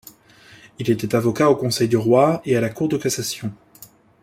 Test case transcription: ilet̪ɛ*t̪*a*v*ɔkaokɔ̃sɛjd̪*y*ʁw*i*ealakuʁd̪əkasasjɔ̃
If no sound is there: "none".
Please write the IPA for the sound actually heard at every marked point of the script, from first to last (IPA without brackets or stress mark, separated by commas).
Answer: t̪, v, y, a